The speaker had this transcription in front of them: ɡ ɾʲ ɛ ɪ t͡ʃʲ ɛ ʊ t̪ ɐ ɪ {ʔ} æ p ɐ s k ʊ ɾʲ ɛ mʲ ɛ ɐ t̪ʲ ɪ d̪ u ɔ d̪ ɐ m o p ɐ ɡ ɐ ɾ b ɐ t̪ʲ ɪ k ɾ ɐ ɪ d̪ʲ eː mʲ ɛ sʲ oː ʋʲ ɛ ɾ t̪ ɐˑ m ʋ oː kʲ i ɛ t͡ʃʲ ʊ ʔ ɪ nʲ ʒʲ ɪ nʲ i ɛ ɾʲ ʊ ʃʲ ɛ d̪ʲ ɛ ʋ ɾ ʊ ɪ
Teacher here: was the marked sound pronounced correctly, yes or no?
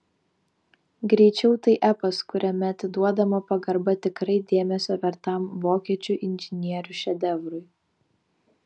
yes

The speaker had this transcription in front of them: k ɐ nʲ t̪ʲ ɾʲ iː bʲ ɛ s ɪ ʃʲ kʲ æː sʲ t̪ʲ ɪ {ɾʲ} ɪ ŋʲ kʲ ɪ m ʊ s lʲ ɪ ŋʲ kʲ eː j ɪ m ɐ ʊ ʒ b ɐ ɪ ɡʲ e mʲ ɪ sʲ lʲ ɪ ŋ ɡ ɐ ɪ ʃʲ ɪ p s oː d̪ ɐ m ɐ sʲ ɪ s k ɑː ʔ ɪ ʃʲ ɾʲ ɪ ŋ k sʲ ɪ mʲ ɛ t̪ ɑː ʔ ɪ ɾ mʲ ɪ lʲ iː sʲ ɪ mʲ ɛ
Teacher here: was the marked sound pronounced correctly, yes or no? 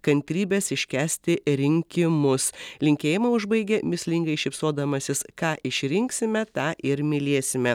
yes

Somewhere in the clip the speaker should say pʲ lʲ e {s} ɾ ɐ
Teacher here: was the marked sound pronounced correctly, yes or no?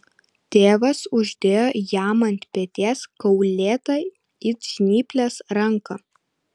yes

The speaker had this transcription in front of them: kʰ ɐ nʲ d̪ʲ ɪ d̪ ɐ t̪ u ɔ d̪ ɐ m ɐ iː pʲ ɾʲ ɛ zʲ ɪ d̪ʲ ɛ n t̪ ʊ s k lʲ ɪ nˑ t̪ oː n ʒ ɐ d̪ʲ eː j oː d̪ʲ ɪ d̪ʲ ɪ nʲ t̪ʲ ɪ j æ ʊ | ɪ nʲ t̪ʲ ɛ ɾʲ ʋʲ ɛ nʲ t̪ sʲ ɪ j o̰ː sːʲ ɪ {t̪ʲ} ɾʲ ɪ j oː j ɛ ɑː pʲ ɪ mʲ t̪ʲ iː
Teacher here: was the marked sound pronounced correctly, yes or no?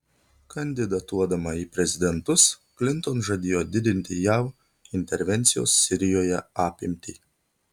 no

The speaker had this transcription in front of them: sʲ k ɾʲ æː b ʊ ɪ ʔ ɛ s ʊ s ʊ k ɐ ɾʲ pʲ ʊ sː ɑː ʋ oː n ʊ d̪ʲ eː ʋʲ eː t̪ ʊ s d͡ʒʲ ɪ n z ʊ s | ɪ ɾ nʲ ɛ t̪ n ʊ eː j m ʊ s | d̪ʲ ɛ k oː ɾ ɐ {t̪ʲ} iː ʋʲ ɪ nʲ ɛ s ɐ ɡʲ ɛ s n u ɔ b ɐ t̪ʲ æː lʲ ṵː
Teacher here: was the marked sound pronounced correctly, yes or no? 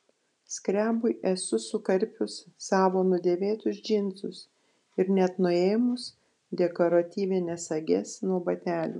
yes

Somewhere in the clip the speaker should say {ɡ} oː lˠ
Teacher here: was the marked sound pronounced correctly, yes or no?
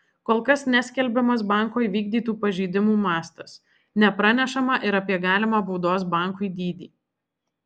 no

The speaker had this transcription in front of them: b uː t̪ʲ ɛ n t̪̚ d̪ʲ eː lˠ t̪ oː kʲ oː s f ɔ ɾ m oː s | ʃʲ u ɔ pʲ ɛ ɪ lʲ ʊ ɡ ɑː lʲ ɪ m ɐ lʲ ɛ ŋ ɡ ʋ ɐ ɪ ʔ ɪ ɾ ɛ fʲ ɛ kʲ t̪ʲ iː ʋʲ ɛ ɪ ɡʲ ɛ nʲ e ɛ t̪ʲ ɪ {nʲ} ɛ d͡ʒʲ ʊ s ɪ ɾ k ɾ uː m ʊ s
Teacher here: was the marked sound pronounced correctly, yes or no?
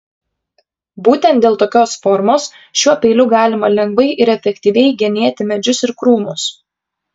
no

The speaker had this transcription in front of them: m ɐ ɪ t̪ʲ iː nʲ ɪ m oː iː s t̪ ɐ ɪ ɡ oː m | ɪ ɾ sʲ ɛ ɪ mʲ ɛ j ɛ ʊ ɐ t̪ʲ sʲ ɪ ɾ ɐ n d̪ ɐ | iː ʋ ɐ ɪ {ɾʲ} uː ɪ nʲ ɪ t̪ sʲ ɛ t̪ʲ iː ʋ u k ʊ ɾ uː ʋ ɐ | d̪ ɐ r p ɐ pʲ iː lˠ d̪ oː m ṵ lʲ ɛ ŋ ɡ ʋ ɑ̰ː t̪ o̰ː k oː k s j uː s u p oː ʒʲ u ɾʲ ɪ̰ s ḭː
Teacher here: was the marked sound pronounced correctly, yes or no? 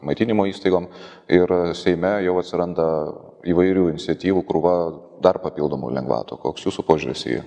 yes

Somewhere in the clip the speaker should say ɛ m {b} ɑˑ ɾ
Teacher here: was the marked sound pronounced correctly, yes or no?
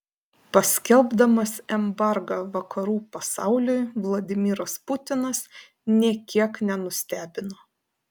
yes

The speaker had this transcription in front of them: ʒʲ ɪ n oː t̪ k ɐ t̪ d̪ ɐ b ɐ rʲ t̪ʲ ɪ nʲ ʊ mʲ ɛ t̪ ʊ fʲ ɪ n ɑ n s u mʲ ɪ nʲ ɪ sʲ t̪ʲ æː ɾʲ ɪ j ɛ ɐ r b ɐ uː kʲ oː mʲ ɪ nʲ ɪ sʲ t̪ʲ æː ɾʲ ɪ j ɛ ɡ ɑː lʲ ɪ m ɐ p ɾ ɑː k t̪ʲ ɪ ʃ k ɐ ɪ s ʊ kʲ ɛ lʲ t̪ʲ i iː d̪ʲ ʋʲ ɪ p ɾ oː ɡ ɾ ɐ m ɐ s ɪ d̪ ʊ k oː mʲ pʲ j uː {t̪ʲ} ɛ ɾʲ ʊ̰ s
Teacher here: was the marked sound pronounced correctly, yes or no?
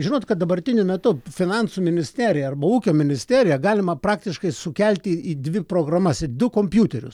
yes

